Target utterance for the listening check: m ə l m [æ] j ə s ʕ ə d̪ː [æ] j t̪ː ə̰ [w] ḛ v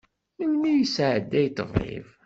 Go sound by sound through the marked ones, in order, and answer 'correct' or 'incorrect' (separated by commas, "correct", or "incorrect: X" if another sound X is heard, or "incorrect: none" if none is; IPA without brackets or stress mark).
incorrect: i, correct, incorrect: v